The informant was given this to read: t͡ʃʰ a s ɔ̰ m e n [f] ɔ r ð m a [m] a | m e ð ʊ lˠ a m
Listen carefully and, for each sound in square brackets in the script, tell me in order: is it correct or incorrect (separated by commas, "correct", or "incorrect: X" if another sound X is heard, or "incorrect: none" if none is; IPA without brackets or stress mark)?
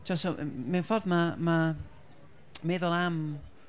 correct, correct